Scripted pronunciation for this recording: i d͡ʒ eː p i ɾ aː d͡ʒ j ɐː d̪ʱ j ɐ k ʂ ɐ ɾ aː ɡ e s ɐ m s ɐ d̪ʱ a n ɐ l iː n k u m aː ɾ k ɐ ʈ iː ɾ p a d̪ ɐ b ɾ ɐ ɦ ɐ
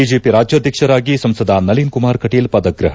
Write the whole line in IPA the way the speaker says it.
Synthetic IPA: i d͡ʒ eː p i ɾ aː d͡ʒ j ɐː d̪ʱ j ɐ k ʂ ɐ ɾ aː ɡ i s ɐ m s ɐ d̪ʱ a n ɐ l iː n k u m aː ɾ k ɐ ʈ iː l p ɐ d̪ ɐ ɡ ɾ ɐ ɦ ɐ